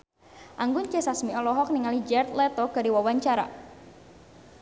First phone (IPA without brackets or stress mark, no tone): ʔ